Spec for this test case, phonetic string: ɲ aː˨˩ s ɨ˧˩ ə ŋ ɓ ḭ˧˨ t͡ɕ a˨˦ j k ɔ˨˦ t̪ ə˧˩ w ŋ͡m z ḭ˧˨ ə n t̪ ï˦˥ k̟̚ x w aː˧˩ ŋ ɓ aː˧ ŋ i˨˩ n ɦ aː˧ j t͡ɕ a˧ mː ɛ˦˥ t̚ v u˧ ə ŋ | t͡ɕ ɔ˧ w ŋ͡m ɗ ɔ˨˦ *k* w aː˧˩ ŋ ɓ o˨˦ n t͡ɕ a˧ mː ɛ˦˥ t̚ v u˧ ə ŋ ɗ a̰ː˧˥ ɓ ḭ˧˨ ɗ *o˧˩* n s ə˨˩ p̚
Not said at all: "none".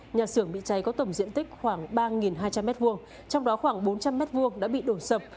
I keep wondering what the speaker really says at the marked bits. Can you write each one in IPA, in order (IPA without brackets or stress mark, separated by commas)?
x, o˧˩